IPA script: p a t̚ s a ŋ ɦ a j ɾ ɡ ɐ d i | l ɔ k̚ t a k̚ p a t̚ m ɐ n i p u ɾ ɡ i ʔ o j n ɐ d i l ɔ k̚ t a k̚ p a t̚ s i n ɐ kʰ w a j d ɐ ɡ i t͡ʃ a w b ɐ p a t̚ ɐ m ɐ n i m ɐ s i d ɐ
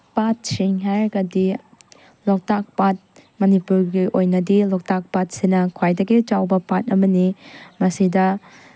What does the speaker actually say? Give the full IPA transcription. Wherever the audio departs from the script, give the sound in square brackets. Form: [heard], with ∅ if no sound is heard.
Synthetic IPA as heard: p a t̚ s [i] ŋ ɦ a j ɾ ɡ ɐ d i | l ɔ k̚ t a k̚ p a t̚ m ɐ n i p u ɾ ɡ i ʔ o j n ɐ d i l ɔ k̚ t a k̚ p a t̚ s i n ɐ kʰ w a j d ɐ ɡ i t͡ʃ a w b ɐ p a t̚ ɐ m ɐ n i m ɐ s i d ɐ